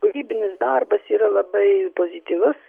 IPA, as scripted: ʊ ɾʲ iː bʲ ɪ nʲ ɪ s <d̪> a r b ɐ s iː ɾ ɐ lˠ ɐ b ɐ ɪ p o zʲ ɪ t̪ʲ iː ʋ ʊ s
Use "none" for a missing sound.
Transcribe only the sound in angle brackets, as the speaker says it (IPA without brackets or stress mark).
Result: d̪